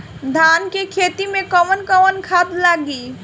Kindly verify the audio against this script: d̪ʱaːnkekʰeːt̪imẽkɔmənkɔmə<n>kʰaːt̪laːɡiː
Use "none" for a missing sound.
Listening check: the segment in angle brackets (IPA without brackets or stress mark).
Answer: n